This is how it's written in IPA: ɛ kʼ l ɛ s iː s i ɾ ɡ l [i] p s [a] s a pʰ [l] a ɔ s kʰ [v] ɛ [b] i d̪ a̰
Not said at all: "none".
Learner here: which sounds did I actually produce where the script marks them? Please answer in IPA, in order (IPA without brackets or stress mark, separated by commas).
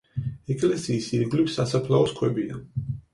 i, a, l, w, b